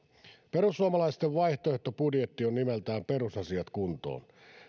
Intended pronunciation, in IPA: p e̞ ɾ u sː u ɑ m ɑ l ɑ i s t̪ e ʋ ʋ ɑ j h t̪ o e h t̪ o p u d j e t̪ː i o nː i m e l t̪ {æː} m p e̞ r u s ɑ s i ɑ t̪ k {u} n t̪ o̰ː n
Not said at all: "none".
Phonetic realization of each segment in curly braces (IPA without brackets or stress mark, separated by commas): æː, u